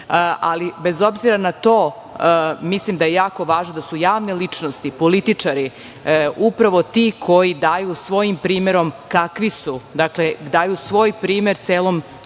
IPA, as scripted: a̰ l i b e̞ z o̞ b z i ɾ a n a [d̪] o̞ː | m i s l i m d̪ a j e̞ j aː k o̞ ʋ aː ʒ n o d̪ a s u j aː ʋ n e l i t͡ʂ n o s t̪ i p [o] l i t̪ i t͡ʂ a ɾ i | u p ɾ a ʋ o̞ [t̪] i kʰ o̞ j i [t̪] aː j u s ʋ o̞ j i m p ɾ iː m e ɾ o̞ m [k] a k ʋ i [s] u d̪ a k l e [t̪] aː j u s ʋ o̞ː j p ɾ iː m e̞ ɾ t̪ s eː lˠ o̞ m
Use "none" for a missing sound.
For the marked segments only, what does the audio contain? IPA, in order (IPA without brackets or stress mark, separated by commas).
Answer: t̪, o, t̪, d̪, k, s, d̪